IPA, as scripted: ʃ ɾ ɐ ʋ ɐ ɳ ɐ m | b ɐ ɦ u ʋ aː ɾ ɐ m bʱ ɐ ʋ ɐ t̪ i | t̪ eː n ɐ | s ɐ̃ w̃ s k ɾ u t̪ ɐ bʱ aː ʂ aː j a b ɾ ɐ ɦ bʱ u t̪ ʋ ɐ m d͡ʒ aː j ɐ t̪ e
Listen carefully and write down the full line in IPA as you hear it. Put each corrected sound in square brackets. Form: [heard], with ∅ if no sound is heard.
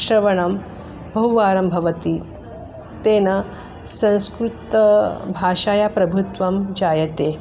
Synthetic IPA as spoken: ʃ ɾ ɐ ʋ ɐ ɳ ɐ m | b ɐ ɦ u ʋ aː ɾ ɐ m bʱ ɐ ʋ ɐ t̪ i | t̪ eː n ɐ | s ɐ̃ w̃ s k ɾ u t̪ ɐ bʱ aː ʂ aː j a [p] ɾ ɐ [∅] bʱ u t̪ ʋ ɐ m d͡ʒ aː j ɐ t̪ e